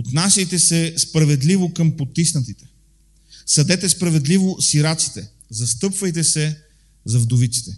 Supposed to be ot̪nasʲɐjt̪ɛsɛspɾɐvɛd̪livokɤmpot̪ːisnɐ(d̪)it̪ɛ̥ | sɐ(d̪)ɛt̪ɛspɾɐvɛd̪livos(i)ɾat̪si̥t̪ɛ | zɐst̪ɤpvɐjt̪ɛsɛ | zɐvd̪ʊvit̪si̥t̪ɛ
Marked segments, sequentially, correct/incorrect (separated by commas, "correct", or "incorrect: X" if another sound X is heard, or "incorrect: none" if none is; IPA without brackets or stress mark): incorrect: t̪, correct, correct